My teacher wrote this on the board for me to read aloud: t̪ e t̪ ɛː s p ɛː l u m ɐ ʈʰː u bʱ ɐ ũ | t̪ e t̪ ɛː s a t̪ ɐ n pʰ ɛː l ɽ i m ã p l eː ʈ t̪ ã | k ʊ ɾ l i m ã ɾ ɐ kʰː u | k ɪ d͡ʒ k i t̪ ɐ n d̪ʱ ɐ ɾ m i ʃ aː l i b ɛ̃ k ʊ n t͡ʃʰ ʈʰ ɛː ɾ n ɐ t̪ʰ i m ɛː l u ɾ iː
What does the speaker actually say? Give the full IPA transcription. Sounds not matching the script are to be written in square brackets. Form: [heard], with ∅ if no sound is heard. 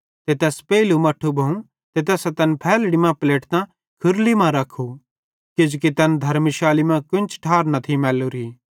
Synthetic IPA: t̪ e t̪ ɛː s p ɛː l u m ɐ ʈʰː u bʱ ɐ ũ | t̪ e t̪ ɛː s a t̪ ɐ n pʰ ɛː l ɽ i m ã p l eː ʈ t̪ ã | [kʰ] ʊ ɾ l i m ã ɾ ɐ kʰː u | k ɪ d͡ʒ k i t̪ ɐ n d̪ʱ ɐ ɾ m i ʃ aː l i [m] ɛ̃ k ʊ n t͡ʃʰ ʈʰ [aː] ɾ n ɐ t̪ʰ i m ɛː l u ɾ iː